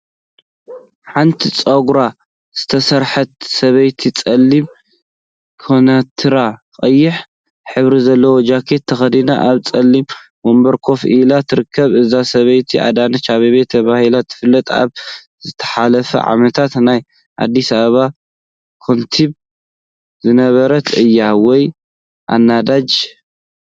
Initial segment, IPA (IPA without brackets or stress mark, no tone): ħ